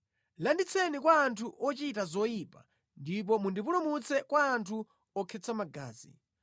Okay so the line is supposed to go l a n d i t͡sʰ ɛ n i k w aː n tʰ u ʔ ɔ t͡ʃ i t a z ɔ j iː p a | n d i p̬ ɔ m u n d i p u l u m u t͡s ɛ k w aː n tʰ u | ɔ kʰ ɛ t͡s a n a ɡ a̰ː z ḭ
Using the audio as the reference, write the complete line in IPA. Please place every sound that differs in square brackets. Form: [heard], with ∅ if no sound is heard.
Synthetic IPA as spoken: l a n d i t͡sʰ ɛ n i k w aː n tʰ u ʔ ɔ t͡ʃ i t a z ɔ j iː p a | n d i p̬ ɔ m u n d i p u l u m u t͡s ɛ k w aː n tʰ u | ɔ kʰ ɛ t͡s a [m] a ɡ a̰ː z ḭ